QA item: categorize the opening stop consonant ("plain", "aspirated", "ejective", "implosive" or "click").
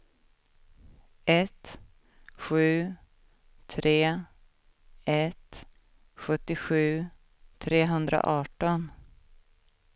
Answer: plain